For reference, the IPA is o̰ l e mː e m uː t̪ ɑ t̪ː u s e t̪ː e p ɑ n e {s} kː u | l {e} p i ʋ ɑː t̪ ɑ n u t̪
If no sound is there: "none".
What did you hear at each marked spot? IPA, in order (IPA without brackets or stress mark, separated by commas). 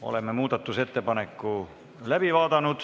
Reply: none, æ